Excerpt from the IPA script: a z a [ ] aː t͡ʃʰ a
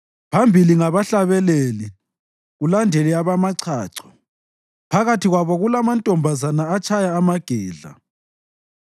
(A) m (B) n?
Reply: B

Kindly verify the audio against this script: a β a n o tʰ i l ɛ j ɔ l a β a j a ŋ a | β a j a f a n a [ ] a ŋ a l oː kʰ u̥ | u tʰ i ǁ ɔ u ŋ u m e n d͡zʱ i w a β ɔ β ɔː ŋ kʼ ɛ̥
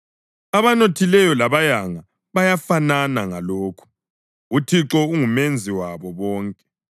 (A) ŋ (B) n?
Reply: B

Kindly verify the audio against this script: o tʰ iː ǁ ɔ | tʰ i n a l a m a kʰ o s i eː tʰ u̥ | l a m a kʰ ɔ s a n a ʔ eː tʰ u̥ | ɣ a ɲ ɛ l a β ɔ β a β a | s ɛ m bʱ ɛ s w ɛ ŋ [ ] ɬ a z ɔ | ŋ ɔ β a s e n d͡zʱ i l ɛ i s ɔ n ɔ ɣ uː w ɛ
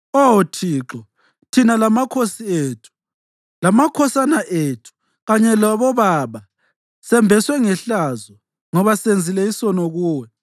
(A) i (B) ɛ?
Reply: B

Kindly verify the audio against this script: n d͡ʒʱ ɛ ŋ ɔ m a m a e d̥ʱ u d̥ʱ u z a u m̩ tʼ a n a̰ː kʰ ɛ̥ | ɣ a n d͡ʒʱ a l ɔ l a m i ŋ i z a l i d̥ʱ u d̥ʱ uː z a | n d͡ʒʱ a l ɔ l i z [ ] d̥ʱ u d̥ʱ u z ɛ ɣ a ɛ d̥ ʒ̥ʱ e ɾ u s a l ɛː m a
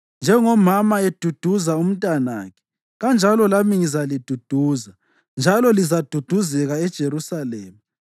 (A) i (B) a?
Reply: B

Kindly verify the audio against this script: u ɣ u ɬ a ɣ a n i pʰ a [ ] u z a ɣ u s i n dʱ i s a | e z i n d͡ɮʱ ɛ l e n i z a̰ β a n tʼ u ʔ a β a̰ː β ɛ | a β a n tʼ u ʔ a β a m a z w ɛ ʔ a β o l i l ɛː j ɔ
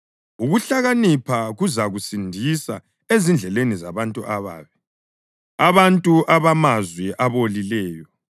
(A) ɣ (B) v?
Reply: A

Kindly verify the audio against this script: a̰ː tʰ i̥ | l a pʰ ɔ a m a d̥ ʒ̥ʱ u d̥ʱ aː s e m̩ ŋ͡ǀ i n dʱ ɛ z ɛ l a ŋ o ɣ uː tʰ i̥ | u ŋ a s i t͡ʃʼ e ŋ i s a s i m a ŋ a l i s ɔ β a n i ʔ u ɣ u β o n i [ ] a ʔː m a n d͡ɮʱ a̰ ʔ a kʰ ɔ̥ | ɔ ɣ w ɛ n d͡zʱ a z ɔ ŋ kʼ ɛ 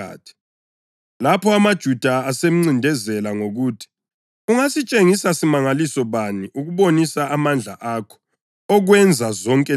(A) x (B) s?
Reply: B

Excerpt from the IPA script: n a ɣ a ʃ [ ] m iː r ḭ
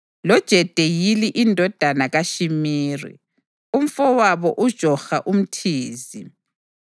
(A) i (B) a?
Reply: A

